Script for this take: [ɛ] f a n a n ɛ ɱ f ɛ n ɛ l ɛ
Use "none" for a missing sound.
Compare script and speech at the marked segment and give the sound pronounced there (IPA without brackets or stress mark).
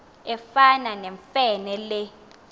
ɛ